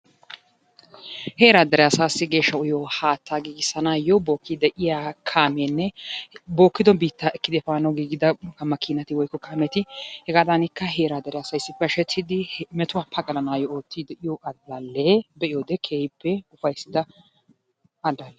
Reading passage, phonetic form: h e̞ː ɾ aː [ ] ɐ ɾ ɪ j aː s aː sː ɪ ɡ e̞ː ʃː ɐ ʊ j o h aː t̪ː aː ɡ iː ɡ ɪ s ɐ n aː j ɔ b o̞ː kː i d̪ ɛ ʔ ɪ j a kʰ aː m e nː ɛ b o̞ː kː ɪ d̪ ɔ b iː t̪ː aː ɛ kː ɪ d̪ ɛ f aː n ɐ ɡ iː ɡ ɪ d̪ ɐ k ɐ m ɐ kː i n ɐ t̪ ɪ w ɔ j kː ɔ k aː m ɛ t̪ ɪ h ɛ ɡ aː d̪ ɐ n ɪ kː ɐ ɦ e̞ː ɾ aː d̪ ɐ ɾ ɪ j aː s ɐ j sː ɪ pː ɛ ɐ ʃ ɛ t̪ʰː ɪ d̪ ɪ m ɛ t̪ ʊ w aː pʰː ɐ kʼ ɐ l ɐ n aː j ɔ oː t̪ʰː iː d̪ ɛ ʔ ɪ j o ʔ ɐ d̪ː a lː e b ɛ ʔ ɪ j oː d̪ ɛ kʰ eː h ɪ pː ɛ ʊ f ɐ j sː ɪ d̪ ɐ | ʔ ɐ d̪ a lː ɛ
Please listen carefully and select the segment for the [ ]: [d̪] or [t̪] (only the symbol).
d̪